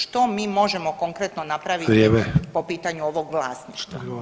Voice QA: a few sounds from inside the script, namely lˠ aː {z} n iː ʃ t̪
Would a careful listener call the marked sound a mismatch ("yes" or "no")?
yes